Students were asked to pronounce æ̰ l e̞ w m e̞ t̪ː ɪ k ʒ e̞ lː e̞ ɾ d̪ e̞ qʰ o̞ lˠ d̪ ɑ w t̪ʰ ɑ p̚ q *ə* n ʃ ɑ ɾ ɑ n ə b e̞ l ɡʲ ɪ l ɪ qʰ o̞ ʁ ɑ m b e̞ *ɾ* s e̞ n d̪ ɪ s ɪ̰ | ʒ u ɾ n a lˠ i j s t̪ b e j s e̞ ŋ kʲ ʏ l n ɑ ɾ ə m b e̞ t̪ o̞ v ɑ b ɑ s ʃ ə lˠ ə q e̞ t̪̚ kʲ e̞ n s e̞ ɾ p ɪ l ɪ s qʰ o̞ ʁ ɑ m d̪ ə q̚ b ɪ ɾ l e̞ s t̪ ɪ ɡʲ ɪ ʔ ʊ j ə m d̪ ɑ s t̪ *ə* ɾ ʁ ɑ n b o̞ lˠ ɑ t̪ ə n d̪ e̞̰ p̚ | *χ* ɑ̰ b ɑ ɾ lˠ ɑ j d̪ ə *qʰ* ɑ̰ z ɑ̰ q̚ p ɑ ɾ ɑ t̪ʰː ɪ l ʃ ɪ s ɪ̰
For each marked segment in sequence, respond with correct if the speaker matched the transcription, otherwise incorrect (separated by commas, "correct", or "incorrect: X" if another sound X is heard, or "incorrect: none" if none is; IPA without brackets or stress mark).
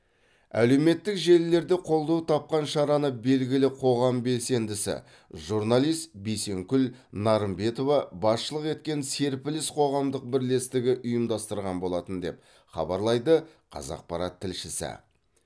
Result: incorrect: ɑ, incorrect: l, correct, correct, correct